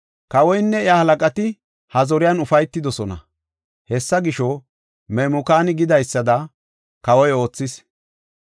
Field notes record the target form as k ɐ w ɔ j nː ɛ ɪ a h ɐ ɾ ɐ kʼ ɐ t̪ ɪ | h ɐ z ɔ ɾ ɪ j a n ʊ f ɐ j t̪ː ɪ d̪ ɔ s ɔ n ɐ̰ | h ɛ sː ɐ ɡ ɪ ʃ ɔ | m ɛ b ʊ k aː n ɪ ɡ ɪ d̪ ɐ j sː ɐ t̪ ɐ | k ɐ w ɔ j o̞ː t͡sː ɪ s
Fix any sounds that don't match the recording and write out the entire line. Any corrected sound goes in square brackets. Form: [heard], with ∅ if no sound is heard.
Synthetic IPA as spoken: k ɐ w ɔ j nː ɛ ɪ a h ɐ [l] ɐ kʼ ɐ t̪ ɪ | h ɐ z ɔ ɾ ɪ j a n ʊ f ɐ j t̪ː ɪ d̪ ɔ s ɔ n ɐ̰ | h ɛ sː ɐ ɡ ɪ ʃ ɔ | m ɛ [m] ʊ k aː n ɪ ɡ ɪ d̪ ɐ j sː ɐ [d̪] ɐ | k ɐ w ɔ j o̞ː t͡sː ɪ s